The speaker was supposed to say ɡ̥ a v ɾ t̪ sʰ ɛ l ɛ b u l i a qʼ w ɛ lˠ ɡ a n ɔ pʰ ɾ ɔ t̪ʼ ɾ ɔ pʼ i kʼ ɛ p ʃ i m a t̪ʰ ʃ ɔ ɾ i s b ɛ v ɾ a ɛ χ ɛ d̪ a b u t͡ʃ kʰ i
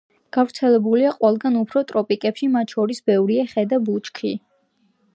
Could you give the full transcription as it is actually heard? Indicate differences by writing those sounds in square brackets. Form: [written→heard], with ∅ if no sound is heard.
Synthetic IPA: ɡ̥ a v ɾ t̪ sʰ ɛ l ɛ b u l i a qʼ w ɛ lˠ ɡ a n [ɔ→u] pʰ ɾ ɔ t̪ʼ ɾ ɔ pʼ i kʼ ɛ p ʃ i m a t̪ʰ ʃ ɔ ɾ i s b ɛ v ɾ [a→i] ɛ χ ɛ d̪ a b u t͡ʃ kʰ i